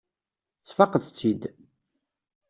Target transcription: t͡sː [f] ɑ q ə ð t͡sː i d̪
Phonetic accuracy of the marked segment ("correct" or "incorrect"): correct